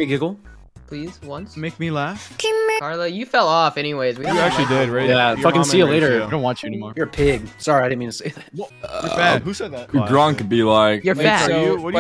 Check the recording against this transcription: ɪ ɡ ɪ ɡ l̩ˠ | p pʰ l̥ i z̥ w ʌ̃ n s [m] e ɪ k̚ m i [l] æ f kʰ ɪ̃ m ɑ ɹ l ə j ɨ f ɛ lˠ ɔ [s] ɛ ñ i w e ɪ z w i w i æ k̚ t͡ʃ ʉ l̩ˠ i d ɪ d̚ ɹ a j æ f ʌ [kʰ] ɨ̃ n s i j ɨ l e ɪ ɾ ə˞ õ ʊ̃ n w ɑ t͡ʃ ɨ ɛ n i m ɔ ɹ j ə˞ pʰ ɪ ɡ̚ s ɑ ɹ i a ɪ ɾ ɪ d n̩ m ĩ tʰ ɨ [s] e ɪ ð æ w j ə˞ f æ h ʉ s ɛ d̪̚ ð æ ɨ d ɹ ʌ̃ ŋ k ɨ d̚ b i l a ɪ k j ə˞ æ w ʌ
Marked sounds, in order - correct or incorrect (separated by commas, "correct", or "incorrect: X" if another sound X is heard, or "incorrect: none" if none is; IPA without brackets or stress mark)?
correct, correct, incorrect: f, incorrect: k, correct